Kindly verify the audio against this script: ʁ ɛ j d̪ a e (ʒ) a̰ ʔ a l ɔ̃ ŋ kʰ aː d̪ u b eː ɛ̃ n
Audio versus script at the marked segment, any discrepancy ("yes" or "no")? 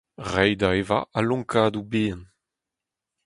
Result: yes